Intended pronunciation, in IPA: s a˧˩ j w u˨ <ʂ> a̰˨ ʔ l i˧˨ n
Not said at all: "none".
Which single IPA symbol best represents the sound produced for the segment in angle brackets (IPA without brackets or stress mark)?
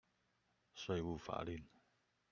f